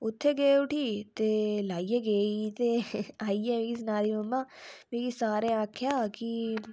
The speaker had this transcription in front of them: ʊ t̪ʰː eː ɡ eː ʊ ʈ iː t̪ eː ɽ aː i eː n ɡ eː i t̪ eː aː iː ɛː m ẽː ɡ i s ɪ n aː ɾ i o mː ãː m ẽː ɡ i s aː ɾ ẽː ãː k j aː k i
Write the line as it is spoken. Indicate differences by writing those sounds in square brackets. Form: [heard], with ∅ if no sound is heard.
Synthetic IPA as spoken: ʊ t̪ʰː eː ɡ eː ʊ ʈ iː t̪ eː [l] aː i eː [∅] ɡ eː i t̪ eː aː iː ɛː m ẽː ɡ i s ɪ n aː ɾ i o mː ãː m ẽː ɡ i s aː ɾ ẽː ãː [kʰ] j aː k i